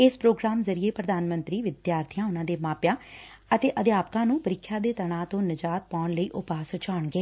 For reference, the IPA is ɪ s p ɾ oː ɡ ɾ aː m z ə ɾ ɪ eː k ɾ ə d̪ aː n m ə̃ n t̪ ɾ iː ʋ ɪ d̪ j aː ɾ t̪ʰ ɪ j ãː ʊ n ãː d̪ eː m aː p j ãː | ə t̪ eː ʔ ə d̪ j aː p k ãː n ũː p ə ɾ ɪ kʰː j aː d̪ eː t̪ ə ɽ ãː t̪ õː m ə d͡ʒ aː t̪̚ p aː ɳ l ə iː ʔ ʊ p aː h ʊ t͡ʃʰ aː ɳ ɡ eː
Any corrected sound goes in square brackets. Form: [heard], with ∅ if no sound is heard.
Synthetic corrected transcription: ɪ s p ɾ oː ɡ ɾ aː m z ə ɾ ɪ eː [p] ɾ ə d̪ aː n m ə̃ n t̪ ɾ iː ʋ ɪ d̪ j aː ɾ t̪ʰ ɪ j ãː ʊ n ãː d̪ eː m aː p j ãː | ə t̪ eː ʔ ə d̪ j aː p k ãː n ũː p ə ɾ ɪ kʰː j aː d̪ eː t̪ ə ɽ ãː t̪ õː [n] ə d͡ʒ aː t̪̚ p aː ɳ l ə iː ʔ ʊ p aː [s] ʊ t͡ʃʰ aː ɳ ɡ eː